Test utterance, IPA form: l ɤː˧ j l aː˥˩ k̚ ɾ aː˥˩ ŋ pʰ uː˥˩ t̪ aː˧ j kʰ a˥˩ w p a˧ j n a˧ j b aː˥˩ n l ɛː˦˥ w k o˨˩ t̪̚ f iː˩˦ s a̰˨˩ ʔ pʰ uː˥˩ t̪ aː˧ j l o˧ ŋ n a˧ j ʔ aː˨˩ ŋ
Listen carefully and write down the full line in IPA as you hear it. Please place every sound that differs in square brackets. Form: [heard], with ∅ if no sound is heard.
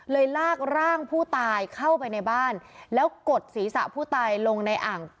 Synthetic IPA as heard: l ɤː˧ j l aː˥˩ k̚ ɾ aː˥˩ ŋ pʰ uː˥˩ t̪ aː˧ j kʰ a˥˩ w p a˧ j n a˧ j b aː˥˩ n l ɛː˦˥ w k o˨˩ t̪̚ [s] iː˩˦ s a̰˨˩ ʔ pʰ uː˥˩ t̪ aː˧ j l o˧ ŋ n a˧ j ʔ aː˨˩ ŋ